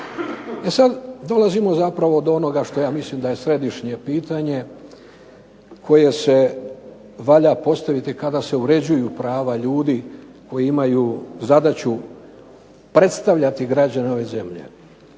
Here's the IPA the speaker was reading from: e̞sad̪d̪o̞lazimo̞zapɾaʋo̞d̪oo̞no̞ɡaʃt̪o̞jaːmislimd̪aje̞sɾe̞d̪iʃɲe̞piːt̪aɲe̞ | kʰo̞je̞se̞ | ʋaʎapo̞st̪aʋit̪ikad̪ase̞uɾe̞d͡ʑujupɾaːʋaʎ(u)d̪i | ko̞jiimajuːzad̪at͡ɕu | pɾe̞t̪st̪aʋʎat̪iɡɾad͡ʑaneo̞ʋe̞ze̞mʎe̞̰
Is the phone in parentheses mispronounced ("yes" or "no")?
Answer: yes